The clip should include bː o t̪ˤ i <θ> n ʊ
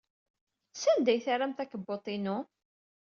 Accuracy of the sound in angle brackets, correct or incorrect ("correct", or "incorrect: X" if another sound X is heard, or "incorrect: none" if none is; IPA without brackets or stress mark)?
incorrect: none